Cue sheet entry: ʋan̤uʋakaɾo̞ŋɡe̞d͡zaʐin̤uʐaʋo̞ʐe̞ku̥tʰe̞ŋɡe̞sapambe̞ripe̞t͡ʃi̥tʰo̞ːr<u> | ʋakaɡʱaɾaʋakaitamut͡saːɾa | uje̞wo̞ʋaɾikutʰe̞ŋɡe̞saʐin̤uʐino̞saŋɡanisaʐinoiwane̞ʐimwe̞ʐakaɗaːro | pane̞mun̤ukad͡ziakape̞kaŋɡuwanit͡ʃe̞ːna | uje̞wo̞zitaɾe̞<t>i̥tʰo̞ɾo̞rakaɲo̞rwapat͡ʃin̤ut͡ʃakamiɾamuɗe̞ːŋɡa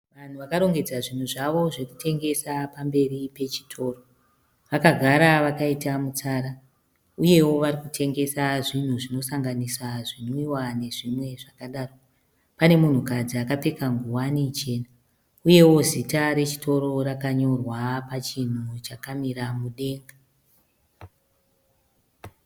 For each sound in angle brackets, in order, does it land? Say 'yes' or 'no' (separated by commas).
no, no